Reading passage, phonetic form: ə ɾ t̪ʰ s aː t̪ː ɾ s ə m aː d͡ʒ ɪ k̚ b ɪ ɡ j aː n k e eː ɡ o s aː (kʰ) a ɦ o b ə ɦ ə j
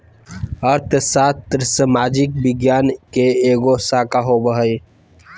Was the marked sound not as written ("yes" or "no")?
yes